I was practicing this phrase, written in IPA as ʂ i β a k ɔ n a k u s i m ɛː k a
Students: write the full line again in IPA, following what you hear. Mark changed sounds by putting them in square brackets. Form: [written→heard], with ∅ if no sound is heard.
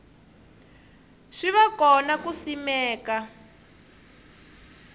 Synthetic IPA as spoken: ʂ i β a k ɔ n a k u s i m ɛː k a